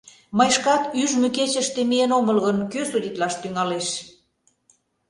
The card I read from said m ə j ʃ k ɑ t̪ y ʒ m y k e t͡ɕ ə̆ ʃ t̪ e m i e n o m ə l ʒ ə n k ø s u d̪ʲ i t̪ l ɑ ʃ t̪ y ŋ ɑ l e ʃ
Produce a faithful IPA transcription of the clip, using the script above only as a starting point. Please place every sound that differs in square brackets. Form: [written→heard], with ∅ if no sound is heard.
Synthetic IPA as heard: m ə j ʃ k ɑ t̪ y ʒ m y k e t͡ɕ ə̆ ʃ t̪ e m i e n o m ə l [ʒ→ɣ] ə n k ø s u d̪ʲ i t̪ l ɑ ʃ t̪ y ŋ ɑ l e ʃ